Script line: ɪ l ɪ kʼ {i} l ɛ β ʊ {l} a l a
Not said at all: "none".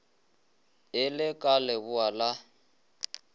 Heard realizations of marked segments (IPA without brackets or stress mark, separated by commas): a, none